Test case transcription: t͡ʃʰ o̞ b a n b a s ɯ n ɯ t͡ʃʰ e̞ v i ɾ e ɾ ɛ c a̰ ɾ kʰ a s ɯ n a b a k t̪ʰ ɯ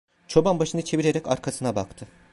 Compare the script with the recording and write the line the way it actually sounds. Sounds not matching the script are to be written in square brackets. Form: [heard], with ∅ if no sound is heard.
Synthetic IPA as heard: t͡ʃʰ o̞ b a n b a [ʃ] ɯ n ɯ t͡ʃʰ e̞ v i ɾ e ɾ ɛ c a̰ ɾ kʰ a s ɯ n a b a k t̪ʰ ɯ